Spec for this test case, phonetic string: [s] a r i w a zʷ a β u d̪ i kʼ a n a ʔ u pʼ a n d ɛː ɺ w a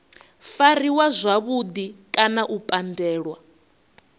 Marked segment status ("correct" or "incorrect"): incorrect